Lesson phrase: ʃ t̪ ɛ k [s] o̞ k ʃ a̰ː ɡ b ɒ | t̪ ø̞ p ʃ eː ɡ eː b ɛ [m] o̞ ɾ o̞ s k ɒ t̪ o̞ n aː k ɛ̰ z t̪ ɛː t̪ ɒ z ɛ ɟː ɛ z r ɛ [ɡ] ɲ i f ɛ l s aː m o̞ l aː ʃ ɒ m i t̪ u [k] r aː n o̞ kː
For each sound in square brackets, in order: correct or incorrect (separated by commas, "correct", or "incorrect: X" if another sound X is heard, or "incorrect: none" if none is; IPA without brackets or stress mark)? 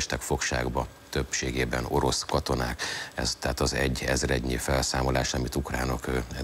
incorrect: f, incorrect: n, incorrect: ɟ, correct